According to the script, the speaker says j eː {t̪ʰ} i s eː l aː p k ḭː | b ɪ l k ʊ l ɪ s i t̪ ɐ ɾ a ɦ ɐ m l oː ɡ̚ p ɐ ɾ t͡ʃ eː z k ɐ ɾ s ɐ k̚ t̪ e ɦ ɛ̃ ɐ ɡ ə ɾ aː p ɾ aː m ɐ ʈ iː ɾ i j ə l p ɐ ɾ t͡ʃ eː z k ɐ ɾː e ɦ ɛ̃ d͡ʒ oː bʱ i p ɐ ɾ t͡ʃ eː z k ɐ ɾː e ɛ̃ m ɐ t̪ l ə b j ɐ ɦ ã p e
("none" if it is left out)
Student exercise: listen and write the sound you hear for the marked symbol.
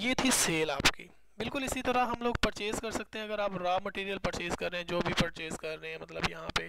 t̪ʰ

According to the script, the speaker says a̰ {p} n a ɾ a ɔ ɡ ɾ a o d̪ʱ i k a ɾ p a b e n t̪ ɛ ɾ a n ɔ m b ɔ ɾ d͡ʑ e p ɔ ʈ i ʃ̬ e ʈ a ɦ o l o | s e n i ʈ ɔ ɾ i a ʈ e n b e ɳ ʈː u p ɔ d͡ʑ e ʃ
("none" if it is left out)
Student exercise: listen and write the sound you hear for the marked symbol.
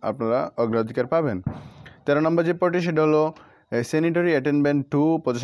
p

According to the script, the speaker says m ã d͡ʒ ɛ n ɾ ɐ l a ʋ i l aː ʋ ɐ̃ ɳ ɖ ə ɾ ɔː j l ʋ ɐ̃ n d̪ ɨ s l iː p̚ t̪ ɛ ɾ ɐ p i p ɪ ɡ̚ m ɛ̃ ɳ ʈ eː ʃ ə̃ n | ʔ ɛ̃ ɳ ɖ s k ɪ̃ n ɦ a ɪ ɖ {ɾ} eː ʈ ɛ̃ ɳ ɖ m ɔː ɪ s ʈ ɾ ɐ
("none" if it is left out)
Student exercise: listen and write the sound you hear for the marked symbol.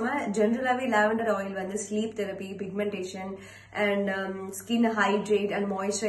ɾ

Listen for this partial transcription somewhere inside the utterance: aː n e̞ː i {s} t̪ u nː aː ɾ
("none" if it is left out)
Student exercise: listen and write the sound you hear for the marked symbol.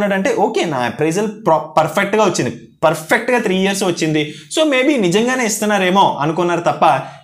s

